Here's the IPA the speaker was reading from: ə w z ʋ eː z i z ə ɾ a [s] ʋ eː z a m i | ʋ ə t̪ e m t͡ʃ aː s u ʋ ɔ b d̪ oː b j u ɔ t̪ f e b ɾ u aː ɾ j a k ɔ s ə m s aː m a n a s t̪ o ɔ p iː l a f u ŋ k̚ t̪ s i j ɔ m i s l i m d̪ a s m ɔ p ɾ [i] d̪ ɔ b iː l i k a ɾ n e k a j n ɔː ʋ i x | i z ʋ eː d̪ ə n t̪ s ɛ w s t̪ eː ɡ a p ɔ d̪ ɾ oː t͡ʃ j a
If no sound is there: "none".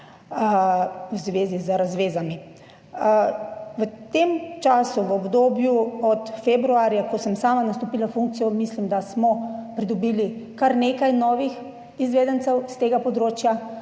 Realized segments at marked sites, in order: z, i

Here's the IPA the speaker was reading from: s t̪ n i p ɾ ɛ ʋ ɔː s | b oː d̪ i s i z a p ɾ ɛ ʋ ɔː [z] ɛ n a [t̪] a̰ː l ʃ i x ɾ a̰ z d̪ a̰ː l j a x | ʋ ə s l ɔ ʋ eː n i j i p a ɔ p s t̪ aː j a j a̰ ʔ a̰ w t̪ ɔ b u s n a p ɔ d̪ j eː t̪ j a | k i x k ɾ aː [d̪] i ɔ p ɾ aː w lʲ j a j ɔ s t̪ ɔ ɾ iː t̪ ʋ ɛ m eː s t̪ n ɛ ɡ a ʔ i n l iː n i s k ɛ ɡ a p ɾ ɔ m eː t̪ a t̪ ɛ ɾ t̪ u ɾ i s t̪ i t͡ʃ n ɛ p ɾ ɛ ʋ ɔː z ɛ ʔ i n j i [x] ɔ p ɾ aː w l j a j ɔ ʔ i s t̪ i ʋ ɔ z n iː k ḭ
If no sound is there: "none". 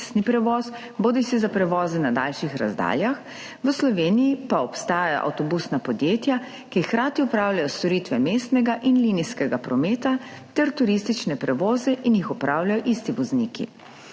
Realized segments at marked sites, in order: z, d̪, t̪, x

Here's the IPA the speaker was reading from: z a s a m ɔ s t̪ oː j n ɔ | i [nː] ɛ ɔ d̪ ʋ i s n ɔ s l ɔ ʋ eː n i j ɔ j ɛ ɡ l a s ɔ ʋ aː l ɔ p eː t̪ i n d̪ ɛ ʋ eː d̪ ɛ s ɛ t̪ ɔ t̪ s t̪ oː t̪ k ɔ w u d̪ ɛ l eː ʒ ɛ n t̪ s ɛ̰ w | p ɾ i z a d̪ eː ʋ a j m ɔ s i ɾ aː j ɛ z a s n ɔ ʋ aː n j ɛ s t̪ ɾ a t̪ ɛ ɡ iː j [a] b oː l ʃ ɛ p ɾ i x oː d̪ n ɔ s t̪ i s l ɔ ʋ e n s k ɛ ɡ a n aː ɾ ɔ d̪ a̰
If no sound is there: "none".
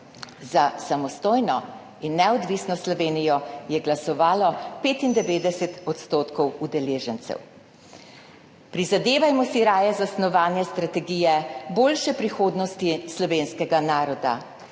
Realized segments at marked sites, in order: nː, ɛ

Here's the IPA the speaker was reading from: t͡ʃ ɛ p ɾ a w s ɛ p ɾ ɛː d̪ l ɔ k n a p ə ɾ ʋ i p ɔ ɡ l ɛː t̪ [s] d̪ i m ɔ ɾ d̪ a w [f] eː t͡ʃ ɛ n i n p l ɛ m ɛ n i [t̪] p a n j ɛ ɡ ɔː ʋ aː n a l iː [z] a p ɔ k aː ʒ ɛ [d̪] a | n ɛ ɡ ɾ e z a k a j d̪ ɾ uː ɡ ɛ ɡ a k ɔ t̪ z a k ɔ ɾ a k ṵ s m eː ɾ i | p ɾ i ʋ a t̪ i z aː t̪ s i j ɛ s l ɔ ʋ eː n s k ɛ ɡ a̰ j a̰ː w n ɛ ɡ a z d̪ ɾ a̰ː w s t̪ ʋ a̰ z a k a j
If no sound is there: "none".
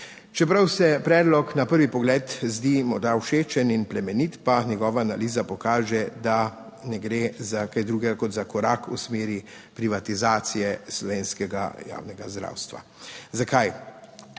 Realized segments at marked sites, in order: z, ʃ, t̪, z, d̪

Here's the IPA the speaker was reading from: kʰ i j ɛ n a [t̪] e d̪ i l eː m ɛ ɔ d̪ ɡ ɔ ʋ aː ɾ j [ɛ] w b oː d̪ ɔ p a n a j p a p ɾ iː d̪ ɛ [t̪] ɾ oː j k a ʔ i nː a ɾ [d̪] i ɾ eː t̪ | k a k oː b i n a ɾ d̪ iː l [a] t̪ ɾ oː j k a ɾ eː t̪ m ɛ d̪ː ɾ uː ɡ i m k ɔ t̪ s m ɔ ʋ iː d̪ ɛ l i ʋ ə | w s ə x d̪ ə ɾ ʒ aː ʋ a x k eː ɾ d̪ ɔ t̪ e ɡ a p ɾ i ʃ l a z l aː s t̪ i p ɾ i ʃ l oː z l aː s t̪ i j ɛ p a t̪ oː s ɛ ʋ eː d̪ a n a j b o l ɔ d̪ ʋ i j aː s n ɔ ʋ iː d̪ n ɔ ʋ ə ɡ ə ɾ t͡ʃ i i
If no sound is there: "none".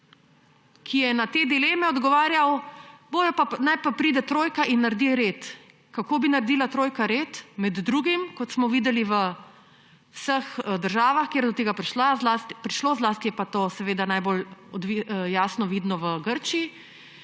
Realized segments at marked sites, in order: t̪, a, t̪, d̪, a

